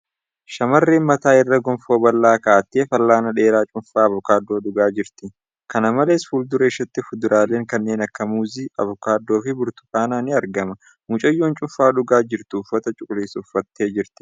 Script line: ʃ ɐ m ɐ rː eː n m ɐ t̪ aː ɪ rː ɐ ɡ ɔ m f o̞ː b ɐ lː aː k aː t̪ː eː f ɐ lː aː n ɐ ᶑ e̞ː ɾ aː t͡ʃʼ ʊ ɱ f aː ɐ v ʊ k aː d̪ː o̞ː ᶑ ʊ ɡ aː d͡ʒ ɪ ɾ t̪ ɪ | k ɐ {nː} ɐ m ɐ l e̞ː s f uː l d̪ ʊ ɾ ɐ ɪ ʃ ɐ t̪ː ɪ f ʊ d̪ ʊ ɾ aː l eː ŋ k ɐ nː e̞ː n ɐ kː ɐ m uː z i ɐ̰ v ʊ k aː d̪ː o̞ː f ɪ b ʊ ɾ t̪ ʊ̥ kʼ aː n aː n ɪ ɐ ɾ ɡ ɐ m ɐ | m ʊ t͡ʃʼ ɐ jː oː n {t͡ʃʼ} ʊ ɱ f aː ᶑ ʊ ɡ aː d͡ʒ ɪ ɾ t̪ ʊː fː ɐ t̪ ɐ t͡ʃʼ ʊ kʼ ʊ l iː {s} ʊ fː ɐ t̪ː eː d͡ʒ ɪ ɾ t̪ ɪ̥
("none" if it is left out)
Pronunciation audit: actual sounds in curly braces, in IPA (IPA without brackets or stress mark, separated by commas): n, t͡ʃʼ, s